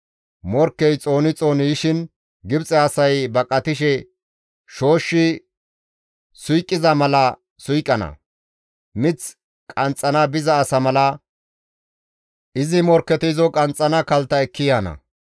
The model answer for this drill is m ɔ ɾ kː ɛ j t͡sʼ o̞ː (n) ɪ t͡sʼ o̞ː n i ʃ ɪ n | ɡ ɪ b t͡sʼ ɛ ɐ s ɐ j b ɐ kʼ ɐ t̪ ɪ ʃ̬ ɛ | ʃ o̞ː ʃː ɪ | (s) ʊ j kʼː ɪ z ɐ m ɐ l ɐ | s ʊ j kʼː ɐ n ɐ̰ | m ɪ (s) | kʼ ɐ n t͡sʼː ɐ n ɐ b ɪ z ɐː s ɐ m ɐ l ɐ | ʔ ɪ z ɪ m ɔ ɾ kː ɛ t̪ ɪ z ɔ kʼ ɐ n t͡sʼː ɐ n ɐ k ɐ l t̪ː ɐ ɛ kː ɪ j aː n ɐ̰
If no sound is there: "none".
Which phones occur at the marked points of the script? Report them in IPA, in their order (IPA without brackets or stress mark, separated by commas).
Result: n, s, t͡s